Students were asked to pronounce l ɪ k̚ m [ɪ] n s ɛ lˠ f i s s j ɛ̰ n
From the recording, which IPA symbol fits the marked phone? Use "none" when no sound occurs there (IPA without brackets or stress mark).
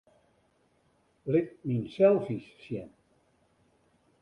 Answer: i